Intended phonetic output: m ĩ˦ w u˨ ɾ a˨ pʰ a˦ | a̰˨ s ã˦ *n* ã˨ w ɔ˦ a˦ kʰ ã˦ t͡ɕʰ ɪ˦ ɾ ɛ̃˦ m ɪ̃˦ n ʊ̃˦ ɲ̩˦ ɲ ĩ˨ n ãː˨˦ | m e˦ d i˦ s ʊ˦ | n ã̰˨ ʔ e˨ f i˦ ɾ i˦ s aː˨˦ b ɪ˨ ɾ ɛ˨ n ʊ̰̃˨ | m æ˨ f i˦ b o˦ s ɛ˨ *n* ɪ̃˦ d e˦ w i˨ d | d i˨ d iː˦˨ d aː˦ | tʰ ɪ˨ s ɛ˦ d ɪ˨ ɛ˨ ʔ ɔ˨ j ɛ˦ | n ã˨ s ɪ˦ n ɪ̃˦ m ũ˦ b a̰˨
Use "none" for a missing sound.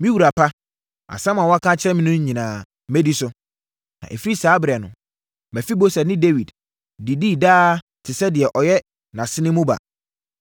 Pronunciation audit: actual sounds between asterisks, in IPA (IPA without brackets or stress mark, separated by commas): m, n